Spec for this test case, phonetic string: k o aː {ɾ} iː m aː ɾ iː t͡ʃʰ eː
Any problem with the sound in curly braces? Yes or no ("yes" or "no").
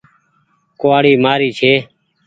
yes